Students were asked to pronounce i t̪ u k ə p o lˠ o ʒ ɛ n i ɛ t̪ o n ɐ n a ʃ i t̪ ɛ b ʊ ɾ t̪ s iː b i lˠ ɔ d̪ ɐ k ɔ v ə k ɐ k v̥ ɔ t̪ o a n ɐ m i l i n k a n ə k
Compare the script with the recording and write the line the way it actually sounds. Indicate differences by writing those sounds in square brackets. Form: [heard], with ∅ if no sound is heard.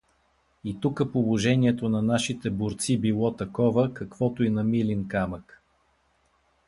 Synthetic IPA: i t̪ u k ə p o lˠ o ʒ ɛ n i ɛ t̪ o n ɐ n a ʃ i t̪ ɛ b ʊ ɾ t̪ s [i] b i lˠ ɔ [t̪] ɐ k ɔ v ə k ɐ k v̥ ɔ t̪ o [i] n ɐ m i l i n k a [m] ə k